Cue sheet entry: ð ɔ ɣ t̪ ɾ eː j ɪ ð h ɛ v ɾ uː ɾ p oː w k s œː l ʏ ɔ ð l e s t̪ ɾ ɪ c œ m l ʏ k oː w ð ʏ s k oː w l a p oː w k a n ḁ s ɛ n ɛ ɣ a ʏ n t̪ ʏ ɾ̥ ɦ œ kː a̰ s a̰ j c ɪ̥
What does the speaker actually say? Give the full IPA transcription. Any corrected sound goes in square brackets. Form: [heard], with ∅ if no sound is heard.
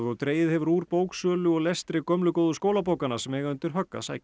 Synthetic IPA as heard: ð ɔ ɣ t̪ ɾ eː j ɪ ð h ɛ v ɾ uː ɾ p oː w k s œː l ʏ ɔ [ɣ] l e s t̪ ɾ ɪ [k] œ m l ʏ k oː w ð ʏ s k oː w l a p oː w k a n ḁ s ɛ [m] ɛ ɣ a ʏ n t̪ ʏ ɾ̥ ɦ œ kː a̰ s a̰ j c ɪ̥